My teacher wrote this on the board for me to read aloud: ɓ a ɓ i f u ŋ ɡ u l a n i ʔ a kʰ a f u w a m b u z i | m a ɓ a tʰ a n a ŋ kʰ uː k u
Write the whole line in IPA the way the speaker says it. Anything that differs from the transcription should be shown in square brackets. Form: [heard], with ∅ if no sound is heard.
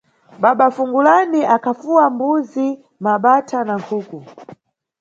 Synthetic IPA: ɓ a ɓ [a] f u ŋ ɡ u l a n i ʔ a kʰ a f u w a m b u z i | m a ɓ a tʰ a n a ŋ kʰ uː k u